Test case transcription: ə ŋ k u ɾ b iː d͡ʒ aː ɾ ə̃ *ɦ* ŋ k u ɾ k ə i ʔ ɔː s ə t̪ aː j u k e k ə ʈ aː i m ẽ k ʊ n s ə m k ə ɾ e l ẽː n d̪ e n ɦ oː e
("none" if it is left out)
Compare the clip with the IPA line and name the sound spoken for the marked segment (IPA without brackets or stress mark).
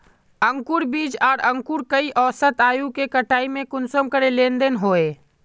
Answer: none